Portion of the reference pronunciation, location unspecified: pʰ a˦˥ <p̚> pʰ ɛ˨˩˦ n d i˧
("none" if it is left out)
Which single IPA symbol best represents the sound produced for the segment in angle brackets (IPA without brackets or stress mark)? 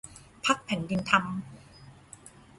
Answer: k̚